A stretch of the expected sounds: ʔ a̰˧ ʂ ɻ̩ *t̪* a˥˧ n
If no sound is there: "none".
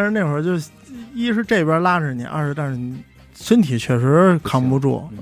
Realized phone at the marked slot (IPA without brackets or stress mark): t̪